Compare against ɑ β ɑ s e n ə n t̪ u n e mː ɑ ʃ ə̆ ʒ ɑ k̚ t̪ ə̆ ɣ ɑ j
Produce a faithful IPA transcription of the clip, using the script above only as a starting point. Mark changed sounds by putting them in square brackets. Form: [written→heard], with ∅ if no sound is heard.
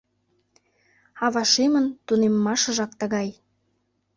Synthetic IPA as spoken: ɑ β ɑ [s→ʃ] e [n→m] ə n t̪ u n e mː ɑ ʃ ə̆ ʒ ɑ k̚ t̪ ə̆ ɣ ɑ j